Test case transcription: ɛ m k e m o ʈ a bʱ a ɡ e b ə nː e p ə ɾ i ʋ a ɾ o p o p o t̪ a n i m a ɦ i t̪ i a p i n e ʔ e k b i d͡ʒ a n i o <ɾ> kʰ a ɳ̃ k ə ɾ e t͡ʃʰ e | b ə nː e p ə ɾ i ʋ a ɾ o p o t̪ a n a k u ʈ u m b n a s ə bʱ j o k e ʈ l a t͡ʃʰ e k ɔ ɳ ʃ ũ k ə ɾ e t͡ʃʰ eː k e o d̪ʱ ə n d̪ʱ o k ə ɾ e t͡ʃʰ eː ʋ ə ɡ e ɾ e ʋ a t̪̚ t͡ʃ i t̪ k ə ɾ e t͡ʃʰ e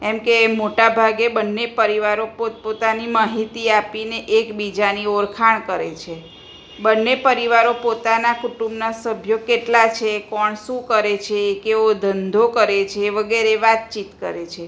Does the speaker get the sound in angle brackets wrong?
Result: no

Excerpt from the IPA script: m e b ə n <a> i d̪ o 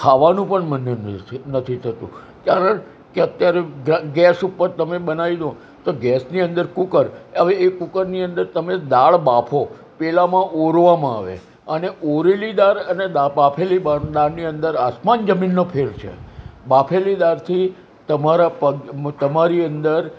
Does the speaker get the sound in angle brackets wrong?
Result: no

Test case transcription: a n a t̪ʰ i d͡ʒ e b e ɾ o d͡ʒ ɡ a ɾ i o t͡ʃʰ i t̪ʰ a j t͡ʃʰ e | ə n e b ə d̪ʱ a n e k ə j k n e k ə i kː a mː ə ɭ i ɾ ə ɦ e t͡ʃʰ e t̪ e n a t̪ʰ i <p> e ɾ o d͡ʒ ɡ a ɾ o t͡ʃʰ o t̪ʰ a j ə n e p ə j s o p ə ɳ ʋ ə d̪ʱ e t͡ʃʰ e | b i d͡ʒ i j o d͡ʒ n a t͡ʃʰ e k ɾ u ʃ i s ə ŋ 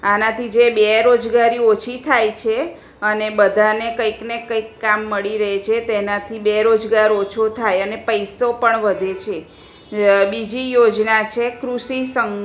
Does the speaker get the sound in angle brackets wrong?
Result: yes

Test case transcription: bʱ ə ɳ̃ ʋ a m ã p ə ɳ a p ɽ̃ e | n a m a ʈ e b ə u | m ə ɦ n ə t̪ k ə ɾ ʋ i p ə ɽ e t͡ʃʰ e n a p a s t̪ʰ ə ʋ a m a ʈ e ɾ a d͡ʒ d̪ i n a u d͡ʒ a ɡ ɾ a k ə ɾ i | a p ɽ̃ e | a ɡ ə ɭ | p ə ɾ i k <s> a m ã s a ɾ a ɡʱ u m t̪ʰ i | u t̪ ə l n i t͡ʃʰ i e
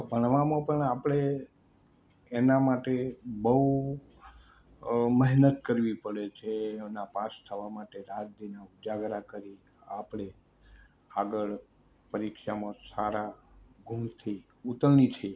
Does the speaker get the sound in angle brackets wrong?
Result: yes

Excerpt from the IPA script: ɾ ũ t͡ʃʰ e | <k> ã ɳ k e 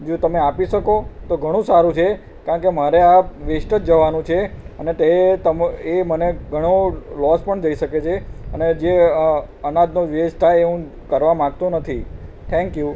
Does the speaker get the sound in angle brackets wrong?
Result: no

